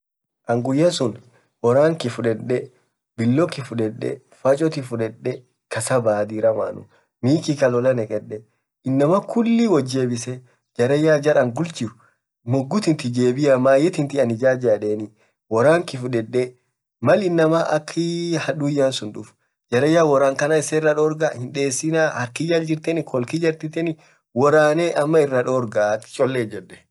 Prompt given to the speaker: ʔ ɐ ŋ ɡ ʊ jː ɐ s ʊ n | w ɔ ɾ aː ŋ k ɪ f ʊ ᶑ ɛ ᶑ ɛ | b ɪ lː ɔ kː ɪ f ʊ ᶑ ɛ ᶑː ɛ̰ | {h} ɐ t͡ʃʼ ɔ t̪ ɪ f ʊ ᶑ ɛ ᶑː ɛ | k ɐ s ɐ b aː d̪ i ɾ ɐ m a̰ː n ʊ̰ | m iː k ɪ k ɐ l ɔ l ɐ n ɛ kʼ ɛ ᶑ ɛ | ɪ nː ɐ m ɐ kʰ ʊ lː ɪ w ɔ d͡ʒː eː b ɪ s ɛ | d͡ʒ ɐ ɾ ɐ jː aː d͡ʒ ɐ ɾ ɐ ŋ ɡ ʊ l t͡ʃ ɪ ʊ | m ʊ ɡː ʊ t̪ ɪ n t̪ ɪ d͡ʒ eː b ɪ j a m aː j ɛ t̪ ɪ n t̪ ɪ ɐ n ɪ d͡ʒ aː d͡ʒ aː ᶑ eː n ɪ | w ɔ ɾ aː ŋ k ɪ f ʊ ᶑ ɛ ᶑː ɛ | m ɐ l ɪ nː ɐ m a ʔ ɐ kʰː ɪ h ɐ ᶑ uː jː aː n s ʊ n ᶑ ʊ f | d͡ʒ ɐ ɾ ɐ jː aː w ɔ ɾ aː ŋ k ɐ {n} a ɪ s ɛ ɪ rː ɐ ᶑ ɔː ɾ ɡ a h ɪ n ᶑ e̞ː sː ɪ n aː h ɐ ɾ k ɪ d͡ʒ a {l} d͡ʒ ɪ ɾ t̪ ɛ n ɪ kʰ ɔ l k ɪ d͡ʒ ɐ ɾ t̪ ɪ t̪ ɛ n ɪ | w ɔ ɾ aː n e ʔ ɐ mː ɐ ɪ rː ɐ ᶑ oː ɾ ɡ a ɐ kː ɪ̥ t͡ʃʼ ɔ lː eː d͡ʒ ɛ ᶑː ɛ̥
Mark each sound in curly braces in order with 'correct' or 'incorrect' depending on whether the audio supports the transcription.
incorrect, correct, correct

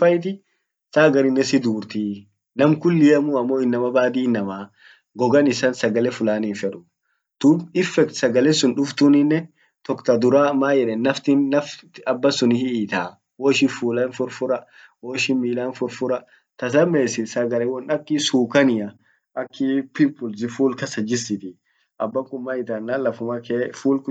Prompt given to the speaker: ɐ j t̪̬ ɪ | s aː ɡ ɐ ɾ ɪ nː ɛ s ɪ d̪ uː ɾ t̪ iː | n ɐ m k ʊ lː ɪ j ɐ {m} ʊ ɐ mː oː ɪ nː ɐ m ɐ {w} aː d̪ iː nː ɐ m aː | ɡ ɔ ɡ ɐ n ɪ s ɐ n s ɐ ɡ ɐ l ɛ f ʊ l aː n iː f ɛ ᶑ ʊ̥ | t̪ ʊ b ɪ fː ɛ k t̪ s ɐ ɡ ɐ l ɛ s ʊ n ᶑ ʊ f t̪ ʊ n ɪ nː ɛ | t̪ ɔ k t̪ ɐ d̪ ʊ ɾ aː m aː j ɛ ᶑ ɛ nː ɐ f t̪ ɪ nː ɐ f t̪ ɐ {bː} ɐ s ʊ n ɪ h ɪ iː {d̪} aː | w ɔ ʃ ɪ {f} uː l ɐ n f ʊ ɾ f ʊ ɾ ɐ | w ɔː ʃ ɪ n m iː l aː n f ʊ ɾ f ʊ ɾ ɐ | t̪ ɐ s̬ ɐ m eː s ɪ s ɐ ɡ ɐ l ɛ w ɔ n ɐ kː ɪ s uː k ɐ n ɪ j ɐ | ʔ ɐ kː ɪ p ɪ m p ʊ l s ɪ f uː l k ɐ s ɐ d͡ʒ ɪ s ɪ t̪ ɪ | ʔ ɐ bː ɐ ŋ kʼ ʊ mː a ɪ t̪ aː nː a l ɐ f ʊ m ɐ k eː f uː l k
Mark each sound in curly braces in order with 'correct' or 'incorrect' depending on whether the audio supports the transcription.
correct, incorrect, correct, incorrect, correct

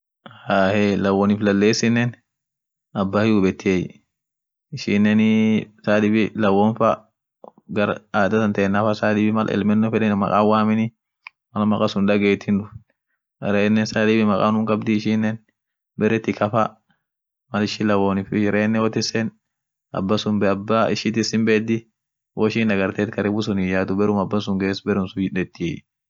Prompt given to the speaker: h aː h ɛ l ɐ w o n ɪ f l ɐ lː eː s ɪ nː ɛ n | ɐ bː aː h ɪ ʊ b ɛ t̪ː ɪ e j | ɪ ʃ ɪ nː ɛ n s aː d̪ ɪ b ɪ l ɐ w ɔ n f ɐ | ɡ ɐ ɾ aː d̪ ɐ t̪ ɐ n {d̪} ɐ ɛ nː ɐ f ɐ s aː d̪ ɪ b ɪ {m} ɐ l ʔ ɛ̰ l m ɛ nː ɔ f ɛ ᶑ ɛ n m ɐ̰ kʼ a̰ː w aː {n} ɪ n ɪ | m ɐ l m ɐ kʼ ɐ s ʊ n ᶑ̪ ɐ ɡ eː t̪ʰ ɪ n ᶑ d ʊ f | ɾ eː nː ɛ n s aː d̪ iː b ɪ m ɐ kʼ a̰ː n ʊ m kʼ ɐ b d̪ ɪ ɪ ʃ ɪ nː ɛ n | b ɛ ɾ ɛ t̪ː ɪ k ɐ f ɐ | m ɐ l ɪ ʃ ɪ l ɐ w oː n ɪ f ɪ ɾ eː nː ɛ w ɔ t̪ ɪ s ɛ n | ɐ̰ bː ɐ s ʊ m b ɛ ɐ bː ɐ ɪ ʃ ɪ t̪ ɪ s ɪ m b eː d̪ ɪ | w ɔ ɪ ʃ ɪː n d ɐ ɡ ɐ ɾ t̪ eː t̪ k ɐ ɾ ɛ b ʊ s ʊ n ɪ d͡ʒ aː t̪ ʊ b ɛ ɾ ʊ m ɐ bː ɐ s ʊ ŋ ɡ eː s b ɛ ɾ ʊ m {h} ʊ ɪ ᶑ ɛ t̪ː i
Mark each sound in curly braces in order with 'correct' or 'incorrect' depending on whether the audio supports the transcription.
incorrect, correct, incorrect, incorrect

